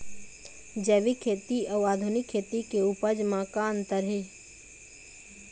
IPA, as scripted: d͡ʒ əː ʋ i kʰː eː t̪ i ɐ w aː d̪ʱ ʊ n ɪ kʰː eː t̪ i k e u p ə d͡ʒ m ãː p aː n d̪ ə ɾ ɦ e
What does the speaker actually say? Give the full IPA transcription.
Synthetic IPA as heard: d͡ʒ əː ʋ i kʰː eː t̪ i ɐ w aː d̪ʱ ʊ n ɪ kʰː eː t̪ i k e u p ə d͡ʒ m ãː k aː n t̪ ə ɾ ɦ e